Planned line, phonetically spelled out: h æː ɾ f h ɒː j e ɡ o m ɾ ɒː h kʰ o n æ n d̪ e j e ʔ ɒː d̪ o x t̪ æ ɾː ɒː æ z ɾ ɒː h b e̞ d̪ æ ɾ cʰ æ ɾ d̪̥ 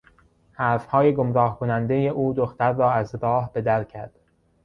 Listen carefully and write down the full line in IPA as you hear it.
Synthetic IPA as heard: h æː ɾ f h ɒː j e ɡ o m ɾ ɒː h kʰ o n æ n d̪ e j e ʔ uː d̪ o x t̪ æ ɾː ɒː æ z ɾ ɒː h b e̞ d̪ æ ɾ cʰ æ ɾ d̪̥